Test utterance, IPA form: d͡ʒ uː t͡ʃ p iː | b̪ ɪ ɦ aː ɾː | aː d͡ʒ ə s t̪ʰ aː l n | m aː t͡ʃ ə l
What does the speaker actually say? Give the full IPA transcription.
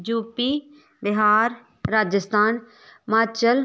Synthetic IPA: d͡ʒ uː p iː | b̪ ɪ ɦ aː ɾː | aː d͡ʒ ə s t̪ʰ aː n | m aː t͡ʃ ə l